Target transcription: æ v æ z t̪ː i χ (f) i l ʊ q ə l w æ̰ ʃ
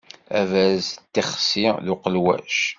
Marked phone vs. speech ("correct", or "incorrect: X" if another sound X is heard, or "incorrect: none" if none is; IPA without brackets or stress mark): incorrect: s